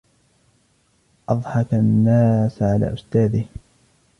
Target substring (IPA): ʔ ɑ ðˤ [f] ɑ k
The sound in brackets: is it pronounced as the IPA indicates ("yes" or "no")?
no